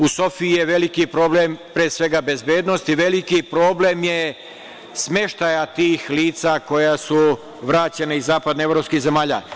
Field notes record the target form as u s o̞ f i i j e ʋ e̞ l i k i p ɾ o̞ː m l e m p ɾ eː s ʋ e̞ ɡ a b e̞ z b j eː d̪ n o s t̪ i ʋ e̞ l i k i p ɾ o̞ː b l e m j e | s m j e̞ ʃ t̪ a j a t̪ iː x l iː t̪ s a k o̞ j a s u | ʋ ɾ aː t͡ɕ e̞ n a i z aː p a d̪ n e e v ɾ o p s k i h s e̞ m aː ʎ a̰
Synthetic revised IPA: u s o̞ f i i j e ʋ e̞ l i k i p ɾ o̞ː b l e m p ɾ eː s ʋ e̞ ɡ a b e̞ z b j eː d̪ n o s t̪ i ʋ e̞ l i k i p ɾ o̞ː b l e m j e | s m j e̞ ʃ t̪ a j a t̪ iː x l iː t̪ s a k o̞ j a s u | ʋ ɾ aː t͡ɕ e̞ n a i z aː p a d̪ n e e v ɾ o p s k i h z e̞ m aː ʎ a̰